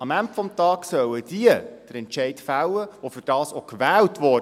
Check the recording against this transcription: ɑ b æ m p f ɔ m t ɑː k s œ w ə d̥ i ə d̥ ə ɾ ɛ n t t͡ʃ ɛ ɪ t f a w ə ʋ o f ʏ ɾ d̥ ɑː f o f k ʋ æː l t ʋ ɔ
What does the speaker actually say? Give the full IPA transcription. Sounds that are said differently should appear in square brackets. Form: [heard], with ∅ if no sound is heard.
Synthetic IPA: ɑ [m] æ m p f ɔ m t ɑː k s œ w ə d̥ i ə d̥ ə ɾ ɛ n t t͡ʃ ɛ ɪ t f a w ə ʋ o f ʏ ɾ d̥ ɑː [s] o [∅] k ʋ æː l t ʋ ɔ